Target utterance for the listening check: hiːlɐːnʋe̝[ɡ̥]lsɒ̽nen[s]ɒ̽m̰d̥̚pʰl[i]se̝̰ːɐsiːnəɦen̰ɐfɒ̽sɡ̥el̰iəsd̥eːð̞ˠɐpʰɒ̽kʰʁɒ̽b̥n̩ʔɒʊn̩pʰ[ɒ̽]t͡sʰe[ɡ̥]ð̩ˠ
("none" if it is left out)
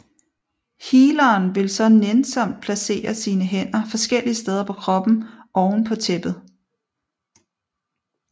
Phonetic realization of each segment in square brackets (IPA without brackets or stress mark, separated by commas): none, s, æ, ɒ̽, b̥